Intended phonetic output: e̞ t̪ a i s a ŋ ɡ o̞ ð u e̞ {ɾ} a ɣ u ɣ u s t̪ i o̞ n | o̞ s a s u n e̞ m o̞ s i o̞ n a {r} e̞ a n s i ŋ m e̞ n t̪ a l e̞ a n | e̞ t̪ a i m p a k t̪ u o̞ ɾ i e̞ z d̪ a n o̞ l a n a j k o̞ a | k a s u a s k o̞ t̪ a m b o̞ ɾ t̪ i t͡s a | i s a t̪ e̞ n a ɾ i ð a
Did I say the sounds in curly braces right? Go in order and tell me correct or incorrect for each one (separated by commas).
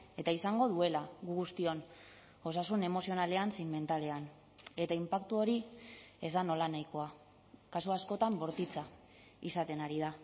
incorrect, incorrect